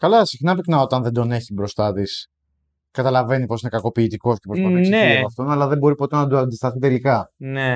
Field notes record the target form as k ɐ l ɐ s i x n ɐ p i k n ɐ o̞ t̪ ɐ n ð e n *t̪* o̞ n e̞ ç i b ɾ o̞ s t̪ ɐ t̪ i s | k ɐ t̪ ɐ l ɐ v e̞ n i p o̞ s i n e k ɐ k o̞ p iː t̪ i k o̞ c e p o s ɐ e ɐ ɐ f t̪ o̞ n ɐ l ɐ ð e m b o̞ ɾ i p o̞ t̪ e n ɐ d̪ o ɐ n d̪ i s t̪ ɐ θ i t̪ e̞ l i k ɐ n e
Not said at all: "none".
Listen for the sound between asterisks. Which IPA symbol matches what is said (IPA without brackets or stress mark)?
d̪